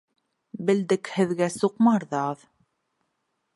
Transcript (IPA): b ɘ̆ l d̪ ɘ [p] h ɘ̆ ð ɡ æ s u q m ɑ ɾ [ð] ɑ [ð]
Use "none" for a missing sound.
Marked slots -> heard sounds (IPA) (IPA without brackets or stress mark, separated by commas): k, ð, ð